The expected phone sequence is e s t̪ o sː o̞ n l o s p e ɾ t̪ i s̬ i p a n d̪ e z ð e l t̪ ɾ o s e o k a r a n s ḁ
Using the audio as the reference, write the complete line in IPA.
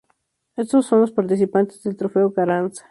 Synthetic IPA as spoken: e s t̪ o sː o̞ n l o s p a ɾ t̪ i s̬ i p a n t̪ e z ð e l t̪ ɾ o f e o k a ɾ a n s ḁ